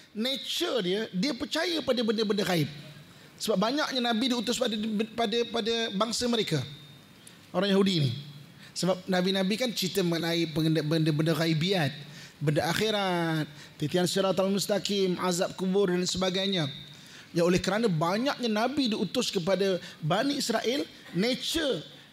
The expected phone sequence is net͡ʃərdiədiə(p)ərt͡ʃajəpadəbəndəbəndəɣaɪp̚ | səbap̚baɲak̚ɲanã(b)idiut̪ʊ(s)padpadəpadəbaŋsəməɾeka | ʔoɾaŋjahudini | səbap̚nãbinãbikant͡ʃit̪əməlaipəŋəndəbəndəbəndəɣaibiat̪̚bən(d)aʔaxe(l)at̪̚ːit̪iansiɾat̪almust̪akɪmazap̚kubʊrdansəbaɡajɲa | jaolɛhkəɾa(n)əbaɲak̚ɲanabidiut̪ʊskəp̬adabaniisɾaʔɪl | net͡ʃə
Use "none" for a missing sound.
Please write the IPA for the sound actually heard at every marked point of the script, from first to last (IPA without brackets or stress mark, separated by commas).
p, b, s, d, ɾ, n